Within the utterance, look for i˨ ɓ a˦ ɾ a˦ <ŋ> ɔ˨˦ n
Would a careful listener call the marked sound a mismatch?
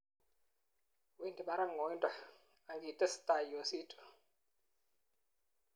no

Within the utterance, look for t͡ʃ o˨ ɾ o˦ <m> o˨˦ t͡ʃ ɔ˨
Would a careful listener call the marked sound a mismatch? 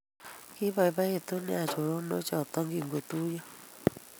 yes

